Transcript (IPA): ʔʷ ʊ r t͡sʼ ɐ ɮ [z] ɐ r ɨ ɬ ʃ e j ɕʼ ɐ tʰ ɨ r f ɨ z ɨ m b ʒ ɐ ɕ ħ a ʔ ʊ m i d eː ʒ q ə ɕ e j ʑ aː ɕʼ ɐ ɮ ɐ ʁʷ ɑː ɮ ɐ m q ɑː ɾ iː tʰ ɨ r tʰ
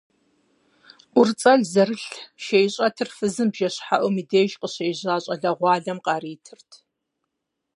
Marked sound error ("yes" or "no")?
no